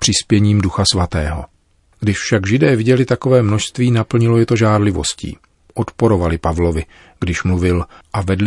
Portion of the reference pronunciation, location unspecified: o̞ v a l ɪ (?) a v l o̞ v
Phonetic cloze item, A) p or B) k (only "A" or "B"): A